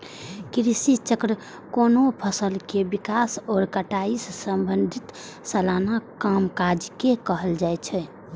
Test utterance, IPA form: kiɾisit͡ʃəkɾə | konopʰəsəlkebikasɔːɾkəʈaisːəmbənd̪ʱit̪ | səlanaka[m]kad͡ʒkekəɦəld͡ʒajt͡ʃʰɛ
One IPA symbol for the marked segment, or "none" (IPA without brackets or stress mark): m